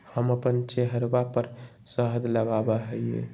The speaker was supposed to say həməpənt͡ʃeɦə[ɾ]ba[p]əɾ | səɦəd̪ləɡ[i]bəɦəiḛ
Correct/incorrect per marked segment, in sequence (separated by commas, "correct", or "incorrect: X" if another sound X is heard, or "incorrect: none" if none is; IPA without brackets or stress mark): correct, correct, incorrect: a